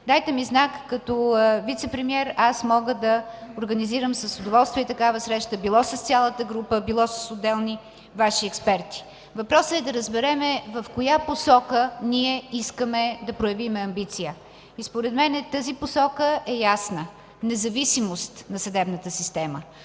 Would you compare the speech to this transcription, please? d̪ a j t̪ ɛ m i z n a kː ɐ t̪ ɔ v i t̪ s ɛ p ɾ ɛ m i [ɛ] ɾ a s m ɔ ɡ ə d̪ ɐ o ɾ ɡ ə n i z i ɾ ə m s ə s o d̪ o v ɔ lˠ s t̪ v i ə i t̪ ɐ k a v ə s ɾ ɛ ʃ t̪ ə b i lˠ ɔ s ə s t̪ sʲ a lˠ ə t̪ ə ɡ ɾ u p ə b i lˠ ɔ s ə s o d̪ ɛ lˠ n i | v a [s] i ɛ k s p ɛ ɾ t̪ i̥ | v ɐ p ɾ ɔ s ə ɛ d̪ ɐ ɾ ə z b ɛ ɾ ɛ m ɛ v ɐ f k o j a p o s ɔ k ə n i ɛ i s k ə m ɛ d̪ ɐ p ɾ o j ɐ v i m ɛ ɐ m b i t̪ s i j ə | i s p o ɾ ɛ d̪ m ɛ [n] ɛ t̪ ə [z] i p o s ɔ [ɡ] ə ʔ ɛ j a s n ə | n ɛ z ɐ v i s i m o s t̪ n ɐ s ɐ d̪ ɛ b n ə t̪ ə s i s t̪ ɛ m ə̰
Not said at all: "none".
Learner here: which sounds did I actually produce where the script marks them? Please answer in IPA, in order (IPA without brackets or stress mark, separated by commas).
ɛ, ʃ, n, z, k